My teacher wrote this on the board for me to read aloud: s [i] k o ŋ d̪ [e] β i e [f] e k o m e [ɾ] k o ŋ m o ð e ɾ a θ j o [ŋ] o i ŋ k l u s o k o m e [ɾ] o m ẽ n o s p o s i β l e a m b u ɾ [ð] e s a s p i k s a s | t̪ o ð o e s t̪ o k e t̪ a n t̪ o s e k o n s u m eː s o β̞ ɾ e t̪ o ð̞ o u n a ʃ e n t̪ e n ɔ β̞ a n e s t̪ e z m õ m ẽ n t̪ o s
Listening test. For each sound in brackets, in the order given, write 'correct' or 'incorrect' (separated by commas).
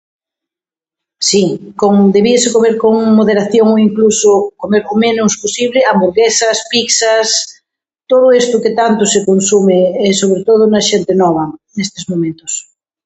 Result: correct, correct, incorrect, correct, correct, correct, incorrect